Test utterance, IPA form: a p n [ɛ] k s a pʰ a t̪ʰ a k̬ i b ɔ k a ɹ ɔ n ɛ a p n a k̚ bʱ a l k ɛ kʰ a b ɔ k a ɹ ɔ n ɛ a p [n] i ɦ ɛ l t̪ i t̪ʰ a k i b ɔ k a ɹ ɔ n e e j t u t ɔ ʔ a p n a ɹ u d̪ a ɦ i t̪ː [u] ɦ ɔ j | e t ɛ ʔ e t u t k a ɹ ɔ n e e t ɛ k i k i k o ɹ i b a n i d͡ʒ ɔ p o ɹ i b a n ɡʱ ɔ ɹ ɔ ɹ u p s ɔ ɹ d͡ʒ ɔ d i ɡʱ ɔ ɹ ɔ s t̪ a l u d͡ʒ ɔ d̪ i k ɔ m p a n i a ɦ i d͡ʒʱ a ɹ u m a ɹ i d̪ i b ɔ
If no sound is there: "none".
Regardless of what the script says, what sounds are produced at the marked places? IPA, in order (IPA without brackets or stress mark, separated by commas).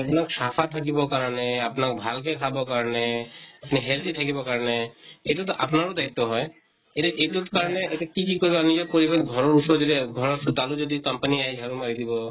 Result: a, n, ɔ